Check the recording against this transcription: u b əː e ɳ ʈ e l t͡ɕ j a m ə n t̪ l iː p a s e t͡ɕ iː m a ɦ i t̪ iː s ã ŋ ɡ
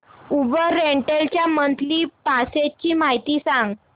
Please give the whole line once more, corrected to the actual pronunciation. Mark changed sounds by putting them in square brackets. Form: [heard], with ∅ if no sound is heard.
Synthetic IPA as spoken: u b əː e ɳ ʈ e l t͡ɕ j a m ə n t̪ l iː p a s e t͡ɕ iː m a ɦ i t̪ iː s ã ŋ ɡ